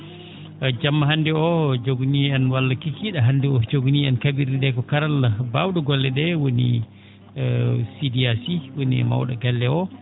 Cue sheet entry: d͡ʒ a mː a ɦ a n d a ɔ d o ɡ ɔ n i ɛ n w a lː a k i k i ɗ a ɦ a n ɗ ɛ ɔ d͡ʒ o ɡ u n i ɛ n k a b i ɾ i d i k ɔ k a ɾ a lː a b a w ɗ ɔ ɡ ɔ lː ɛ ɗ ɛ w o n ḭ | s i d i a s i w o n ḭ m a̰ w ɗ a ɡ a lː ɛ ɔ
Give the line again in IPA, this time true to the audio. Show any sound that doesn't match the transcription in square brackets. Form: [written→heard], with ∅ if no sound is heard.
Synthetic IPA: d͡ʒ a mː a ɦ a n d [a→ɛ] ɔ [d→d͡ʒ] o ɡ [ɔ→u] n i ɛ n w a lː a k i k i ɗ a ɦ a n [ɗ→d] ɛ ɔ d͡ʒ o ɡ u n i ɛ n k a b i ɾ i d [i→ɛ] k ɔ k a ɾ a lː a b a w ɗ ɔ ɡ ɔ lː ɛ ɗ ɛ w o n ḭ | s i d i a s i w o n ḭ m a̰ w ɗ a ɡ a lː ɛ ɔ